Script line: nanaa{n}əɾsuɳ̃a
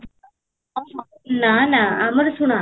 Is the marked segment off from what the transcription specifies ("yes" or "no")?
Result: yes